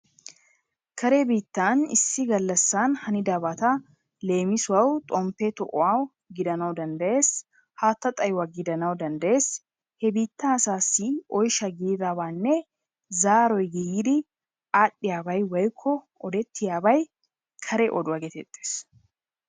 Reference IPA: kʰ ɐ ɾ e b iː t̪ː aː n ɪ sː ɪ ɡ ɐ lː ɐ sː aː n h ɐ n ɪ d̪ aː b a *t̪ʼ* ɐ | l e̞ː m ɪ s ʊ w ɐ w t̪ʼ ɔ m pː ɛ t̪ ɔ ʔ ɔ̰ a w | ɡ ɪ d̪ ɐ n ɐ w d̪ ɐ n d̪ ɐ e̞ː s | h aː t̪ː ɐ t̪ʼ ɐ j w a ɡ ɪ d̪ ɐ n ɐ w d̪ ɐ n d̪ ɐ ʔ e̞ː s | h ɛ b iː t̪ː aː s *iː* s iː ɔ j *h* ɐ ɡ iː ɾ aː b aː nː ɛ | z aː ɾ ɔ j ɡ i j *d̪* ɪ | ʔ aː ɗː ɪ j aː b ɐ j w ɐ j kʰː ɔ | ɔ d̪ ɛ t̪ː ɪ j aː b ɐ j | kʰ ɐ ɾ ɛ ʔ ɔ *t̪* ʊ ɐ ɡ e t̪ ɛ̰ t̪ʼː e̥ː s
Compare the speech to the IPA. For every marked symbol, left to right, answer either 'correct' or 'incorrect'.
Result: incorrect: t̪, incorrect: aː, incorrect: ʃ, correct, incorrect: d̪

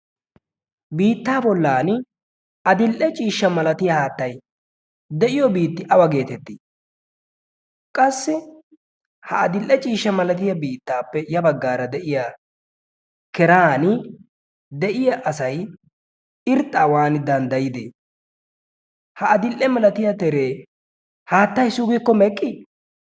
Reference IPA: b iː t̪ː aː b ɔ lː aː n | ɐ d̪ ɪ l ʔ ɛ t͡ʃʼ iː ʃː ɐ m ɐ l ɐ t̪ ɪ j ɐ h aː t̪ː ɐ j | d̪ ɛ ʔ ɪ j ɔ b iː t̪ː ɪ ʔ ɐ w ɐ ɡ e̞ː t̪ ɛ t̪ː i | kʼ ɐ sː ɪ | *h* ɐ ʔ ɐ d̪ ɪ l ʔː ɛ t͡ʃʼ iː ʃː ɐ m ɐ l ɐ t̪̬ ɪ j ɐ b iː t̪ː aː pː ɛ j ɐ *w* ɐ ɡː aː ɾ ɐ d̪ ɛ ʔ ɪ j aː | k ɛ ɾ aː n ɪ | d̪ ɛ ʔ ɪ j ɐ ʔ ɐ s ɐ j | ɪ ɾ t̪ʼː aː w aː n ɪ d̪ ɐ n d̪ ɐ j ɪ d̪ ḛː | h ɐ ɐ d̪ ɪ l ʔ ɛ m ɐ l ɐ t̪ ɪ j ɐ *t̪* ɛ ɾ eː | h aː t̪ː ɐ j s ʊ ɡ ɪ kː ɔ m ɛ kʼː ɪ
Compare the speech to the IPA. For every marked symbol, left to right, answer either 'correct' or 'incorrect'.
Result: correct, incorrect: b, correct

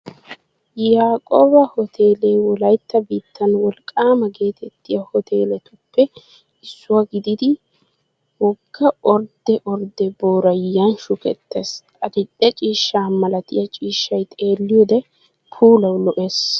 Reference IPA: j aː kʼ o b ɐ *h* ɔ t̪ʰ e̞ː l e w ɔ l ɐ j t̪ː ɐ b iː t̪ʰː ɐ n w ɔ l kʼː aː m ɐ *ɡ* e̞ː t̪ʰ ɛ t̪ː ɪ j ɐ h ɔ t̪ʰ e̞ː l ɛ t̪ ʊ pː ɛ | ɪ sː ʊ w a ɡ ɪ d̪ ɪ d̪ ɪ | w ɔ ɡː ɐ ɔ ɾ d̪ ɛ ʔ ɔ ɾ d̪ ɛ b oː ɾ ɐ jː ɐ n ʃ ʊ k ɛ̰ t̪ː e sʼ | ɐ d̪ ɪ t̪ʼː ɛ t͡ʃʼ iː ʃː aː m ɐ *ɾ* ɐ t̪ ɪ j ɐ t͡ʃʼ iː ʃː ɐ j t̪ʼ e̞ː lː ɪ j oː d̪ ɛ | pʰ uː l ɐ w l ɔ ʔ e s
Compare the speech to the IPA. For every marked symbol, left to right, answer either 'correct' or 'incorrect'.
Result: correct, correct, incorrect: l

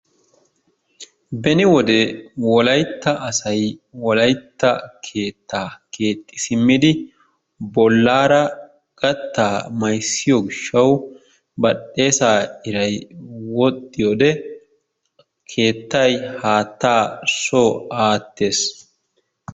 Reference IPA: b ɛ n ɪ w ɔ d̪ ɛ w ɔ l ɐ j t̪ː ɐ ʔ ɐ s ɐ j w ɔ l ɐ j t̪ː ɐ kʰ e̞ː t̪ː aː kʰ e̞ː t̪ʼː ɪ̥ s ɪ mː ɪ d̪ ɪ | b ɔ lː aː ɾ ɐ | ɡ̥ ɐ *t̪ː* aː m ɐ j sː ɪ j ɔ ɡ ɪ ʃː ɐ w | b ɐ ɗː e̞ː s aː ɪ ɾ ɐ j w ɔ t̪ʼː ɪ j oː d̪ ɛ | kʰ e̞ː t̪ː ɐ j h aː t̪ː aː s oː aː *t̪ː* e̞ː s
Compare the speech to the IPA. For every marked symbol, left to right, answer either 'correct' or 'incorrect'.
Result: correct, correct

